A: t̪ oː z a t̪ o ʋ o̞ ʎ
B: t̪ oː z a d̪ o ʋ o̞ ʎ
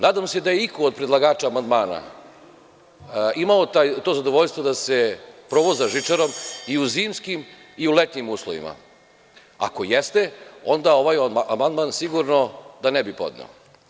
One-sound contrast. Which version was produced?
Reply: B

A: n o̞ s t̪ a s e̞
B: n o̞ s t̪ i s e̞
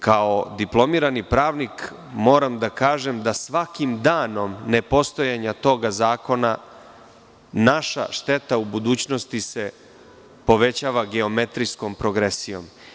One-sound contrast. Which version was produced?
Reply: B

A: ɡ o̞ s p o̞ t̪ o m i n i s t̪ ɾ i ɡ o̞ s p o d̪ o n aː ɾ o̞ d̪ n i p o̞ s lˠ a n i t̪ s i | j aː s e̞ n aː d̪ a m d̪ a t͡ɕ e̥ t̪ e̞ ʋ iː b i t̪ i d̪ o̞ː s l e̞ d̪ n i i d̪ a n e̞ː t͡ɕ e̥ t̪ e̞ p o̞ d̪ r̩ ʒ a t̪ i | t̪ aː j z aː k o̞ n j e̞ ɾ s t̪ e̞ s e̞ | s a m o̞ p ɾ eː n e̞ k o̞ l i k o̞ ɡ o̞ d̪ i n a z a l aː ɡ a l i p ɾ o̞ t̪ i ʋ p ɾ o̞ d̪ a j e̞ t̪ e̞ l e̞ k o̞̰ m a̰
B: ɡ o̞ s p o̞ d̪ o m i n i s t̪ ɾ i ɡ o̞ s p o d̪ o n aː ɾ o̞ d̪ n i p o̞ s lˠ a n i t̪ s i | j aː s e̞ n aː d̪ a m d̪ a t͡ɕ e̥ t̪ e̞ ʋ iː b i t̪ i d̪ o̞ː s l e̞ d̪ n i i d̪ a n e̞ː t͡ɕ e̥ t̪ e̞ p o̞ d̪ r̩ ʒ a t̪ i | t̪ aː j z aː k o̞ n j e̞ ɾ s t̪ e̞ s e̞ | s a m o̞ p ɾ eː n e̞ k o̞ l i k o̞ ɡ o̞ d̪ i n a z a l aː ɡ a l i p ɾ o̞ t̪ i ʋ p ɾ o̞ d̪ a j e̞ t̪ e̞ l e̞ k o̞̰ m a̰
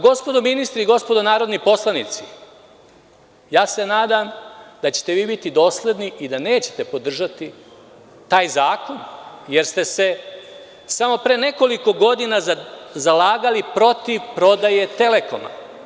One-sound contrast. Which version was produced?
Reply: B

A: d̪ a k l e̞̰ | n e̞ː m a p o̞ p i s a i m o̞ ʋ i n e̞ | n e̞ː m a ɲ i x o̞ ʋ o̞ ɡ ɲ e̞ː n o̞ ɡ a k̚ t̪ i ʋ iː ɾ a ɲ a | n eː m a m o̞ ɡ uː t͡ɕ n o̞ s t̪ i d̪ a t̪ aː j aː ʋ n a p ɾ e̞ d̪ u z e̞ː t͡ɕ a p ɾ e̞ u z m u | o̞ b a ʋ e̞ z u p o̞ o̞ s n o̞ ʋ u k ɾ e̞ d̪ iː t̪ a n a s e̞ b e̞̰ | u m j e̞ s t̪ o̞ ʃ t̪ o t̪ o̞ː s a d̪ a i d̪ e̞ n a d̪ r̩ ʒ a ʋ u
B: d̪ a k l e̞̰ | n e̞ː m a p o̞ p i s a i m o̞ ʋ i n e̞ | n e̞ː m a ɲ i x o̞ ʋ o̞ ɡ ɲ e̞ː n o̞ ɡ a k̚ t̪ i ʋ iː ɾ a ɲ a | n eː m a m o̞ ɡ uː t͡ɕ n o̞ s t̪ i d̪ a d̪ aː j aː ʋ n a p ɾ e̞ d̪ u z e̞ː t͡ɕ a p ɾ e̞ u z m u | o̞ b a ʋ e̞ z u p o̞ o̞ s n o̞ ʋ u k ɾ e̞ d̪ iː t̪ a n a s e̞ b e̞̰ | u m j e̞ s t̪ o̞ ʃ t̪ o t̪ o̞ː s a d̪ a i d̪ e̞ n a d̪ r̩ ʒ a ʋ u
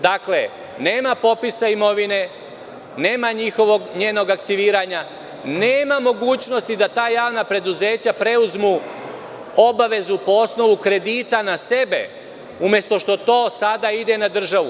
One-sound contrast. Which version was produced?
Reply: A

